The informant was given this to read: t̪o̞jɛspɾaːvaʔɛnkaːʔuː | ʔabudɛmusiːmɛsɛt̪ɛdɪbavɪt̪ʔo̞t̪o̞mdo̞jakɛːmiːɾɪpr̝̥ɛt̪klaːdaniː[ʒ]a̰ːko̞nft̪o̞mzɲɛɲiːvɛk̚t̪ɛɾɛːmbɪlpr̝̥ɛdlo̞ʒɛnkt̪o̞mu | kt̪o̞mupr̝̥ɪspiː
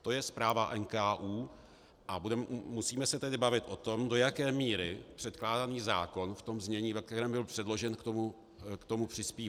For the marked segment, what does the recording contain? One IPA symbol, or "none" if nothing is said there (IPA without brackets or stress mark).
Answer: z